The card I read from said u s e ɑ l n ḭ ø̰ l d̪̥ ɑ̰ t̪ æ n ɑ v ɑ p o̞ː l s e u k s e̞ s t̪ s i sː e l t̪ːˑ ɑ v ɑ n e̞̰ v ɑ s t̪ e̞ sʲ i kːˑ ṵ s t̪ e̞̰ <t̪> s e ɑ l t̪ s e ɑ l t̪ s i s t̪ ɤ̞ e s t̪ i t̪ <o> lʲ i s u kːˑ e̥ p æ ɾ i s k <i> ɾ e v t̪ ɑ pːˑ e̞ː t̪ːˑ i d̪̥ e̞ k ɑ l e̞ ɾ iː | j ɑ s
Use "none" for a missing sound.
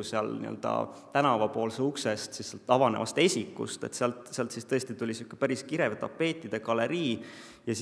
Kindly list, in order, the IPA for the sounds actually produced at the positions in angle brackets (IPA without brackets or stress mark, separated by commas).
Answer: t̪, u, i